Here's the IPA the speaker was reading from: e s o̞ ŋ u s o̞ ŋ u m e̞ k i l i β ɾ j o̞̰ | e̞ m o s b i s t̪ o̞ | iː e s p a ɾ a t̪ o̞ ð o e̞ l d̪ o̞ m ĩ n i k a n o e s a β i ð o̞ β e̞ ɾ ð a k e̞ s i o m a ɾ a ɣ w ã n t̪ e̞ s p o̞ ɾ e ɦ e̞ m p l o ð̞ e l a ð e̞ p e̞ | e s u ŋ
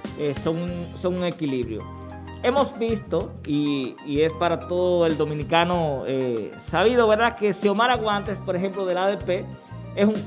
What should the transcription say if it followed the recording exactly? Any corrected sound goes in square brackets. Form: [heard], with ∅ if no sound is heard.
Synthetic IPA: e s o̞ ŋ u s o̞ ŋ u [ŋ] e̞ k i l i β ɾ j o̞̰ | e̞ m o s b i s t̪ o̞ | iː e s p a ɾ a t̪ o̞ ð o e̞ l d̪ o̞ m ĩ n i k a n o e s a β i ð o̞ β e̞ ɾ ð a k e̞ s i o m a ɾ a ɣ w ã n t̪ e̞ s p o̞ ɾ e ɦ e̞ m p l o ð̞ e l a ð e̞ p e̞ | e s u ŋ